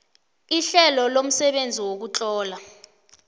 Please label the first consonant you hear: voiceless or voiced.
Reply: voiceless